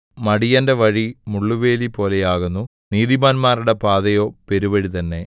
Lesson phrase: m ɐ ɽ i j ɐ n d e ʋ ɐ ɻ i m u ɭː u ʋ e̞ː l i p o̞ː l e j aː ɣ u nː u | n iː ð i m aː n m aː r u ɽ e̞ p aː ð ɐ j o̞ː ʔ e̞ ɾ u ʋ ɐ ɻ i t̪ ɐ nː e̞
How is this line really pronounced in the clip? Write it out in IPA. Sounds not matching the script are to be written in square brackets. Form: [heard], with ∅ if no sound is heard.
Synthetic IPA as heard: m ɐ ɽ i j ɐ n d e ʋ ɐ ɻ i m u ɭː u ʋ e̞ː l i p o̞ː l e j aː ɣ u nː u | n iː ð i m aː n m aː r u ɽ e̞ p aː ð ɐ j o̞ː [p] e̞ ɾ u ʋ ɐ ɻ i t̪ ɐ nː e̞